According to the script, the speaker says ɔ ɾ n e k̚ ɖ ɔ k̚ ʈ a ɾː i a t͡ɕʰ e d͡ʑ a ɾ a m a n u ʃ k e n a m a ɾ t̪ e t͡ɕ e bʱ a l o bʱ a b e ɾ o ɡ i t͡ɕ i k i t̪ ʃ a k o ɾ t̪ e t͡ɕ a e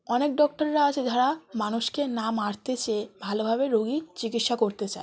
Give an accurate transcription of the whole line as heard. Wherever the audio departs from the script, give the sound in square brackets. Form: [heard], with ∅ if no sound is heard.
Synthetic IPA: ɔ [∅] n e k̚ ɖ ɔ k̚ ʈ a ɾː [a] a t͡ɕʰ e d͡ʑ a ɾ a m a n u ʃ k e n a m a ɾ t̪ e t͡ɕ e bʱ a l o bʱ a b e ɾ o ɡ i t͡ɕ i k i t̪ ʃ a k o ɾ t̪ e t͡ɕ a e